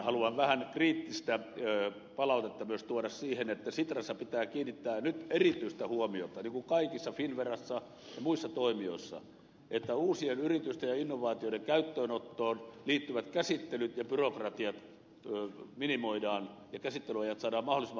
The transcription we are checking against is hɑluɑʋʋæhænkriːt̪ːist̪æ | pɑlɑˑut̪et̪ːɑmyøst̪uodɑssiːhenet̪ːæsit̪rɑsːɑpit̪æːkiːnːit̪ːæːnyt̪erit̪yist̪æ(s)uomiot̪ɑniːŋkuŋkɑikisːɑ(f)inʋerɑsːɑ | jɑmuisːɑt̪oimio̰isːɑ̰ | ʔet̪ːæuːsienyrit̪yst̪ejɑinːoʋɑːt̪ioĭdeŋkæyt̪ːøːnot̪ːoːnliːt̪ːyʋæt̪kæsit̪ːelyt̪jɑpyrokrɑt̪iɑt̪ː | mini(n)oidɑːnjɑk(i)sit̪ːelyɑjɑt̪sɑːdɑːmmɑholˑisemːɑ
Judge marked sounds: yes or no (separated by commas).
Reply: no, yes, no, no